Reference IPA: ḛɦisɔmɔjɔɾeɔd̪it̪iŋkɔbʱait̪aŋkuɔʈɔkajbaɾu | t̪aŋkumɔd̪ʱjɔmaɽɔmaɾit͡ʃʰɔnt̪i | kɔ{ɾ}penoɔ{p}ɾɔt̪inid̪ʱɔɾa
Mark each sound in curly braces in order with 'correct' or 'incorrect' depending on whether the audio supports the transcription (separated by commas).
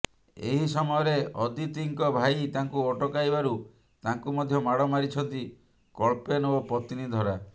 incorrect, correct